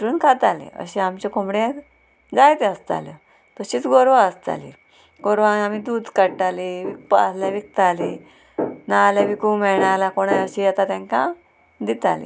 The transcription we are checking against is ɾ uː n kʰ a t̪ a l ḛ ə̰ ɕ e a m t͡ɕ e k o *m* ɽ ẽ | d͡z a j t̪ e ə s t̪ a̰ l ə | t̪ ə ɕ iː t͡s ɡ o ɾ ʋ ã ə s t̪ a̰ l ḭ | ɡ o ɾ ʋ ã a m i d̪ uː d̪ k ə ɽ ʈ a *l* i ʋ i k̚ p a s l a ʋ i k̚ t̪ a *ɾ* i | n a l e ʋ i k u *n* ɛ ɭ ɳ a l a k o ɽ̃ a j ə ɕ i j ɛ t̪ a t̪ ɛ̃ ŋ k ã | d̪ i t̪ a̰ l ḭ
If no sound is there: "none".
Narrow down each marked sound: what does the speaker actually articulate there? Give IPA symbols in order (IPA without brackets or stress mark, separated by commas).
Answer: m, l, l, m